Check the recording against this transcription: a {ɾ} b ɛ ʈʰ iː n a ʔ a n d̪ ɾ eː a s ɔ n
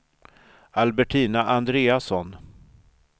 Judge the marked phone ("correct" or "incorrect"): incorrect